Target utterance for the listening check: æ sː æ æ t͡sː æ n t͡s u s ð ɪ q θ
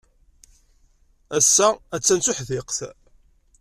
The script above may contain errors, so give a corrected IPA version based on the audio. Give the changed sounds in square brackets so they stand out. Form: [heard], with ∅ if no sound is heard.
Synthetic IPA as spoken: æ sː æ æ t͡sː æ n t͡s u [ħ] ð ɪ q θ